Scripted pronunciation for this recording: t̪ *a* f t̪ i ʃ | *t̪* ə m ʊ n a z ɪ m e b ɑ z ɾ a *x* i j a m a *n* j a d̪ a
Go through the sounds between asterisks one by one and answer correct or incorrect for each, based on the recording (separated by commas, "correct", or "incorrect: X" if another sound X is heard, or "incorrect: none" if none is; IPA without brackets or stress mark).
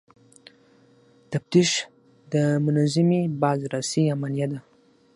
correct, incorrect: d̪, incorrect: s, correct